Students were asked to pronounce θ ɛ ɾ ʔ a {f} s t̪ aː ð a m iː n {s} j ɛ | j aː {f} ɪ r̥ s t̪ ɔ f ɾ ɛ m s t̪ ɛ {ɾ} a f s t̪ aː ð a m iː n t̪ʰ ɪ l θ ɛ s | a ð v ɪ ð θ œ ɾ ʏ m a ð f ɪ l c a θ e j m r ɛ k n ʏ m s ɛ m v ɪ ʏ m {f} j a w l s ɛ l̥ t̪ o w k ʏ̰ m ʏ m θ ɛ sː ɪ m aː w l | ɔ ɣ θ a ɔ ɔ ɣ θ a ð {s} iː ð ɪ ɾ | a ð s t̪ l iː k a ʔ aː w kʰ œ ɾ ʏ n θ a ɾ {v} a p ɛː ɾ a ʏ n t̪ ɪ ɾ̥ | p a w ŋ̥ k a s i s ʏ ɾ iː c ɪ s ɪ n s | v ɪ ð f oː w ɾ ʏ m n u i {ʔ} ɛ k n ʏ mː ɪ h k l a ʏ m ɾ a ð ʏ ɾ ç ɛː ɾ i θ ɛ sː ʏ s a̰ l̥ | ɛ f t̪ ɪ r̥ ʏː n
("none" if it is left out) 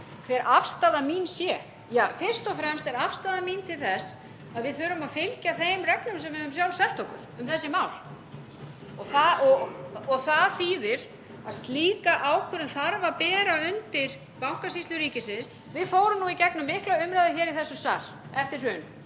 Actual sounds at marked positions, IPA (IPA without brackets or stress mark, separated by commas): f, s, f, ɾ, s, θ, v, c